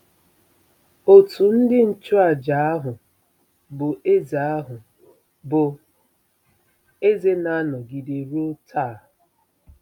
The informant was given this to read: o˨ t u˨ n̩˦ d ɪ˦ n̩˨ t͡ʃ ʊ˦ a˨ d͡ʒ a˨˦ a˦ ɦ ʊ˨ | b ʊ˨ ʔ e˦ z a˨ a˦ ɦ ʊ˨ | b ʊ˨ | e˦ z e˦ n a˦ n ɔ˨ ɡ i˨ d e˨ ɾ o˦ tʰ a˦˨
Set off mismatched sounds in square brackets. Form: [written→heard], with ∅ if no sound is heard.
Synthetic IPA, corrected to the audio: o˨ t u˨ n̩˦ d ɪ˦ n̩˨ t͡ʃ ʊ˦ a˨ d͡ʒ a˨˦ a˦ ɦ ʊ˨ | b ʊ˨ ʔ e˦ z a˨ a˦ ɦ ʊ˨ | b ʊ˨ | e˦ z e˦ n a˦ n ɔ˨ ɡ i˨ d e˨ ɾ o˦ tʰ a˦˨